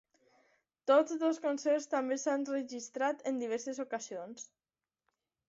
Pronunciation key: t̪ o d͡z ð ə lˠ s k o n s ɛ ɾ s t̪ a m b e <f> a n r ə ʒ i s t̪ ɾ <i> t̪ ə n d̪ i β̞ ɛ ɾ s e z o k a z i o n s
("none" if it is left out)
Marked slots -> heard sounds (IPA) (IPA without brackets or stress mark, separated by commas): s, a